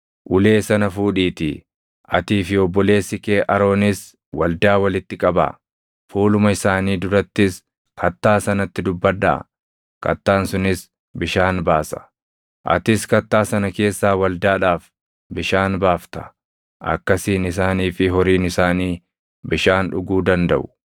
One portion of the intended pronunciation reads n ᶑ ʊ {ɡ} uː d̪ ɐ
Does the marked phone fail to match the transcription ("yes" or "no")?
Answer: no